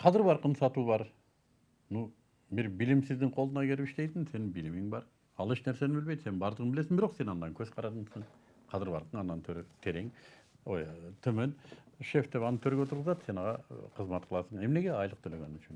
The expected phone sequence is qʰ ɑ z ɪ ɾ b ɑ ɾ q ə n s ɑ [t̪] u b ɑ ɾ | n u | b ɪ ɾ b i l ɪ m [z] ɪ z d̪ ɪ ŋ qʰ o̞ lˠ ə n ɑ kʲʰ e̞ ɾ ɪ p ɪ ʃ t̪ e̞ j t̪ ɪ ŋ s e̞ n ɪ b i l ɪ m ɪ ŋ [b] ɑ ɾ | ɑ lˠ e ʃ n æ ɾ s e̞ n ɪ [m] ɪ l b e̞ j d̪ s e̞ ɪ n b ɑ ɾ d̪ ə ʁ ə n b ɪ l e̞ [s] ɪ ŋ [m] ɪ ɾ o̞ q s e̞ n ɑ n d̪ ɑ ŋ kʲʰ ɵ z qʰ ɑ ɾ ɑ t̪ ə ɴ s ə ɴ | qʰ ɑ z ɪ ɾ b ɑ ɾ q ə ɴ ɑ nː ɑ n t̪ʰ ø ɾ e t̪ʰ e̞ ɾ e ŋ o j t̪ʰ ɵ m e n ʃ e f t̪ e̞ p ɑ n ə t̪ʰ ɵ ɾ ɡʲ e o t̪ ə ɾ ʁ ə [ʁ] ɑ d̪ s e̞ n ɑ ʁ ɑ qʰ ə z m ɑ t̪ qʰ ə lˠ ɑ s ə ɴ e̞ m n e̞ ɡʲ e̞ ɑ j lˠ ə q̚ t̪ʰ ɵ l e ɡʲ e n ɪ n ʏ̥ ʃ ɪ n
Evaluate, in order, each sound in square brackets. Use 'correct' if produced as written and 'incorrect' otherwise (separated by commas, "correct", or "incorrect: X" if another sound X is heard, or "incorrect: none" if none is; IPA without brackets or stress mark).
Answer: correct, incorrect: s, correct, incorrect: b, correct, incorrect: b, incorrect: z